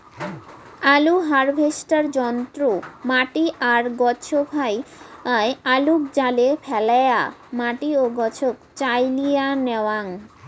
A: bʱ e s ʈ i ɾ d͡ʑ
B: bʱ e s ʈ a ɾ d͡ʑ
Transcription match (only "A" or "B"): B